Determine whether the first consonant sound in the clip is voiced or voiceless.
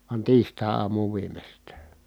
voiced